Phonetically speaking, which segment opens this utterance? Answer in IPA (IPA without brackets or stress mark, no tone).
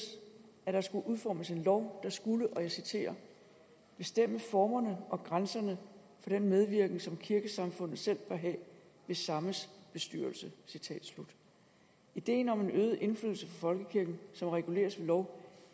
æ